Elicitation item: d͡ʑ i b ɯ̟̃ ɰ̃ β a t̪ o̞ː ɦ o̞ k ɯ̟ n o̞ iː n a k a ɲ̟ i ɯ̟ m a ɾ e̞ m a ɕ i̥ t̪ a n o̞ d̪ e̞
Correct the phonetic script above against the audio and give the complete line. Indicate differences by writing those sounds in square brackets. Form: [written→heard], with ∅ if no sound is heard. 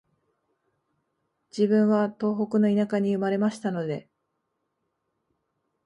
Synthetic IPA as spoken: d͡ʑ i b ɯ̟̃ ɰ̃ β a t̪ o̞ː ɦ o̞ k ɯ̟ n o̞ [iː→i] n a k a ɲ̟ i ɯ̟ m a ɾ e̞ m a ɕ i̥ t̪ a n o̞ d̪ e̞